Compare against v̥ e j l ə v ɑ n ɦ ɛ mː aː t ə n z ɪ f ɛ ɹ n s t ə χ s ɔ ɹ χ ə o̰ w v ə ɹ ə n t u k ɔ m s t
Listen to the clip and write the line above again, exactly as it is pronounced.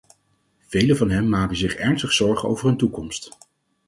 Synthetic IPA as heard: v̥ e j l ə v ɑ n ɦ ɛ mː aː k ə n z ɪ χ ɛ ɹ n s t ə χ s ɔ ɹ χ ə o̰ w v ə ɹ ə n t u k ɔ m s t